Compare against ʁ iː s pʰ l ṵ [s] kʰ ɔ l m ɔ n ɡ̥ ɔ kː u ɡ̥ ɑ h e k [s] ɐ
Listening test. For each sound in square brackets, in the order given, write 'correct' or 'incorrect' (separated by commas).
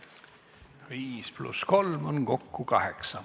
correct, correct